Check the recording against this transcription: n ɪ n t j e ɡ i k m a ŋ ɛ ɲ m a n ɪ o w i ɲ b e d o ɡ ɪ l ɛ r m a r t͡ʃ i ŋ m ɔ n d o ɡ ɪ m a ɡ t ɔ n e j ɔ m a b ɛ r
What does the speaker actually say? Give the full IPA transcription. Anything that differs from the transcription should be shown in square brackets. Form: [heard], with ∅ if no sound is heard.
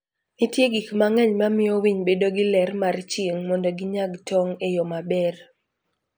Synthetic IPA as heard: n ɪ [∅] t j e ɡ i k m a ŋ ɛ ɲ m a [m] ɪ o w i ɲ b e d o ɡ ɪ l ɛ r m a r t͡ʃ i ŋ m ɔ n d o ɡ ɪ [ɲ] a ɡ t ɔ [ŋ] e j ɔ m a b ɛ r